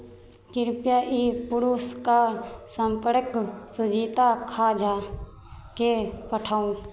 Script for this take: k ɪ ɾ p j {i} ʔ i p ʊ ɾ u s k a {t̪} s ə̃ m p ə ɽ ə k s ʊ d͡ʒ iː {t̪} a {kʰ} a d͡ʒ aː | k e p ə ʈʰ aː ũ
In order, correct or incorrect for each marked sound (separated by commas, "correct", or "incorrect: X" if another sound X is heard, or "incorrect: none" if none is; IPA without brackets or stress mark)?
incorrect: a, incorrect: none, correct, correct